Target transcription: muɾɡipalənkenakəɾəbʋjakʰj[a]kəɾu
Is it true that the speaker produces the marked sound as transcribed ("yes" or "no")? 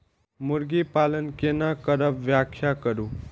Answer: yes